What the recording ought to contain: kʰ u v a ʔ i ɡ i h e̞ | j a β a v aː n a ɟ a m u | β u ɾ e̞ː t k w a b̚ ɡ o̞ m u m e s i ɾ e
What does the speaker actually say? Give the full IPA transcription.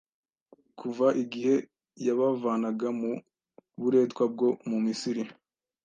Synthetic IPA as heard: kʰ u v a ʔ i ɡ i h e̞ | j a β a v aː n a ɡ a m u | β u ɾ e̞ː t k w a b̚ ɡ o̞ m u m i s i ɾ i